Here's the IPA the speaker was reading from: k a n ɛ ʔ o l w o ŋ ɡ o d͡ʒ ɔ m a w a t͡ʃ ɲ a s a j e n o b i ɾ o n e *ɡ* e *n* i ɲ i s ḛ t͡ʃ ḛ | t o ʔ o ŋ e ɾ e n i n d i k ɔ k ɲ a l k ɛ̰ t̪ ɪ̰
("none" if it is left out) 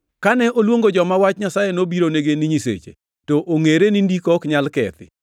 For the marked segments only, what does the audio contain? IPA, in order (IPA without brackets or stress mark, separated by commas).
ɡ, n